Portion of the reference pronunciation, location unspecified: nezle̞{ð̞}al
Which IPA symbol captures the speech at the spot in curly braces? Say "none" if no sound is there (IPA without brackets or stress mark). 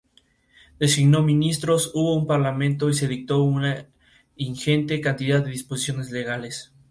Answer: ɣ̞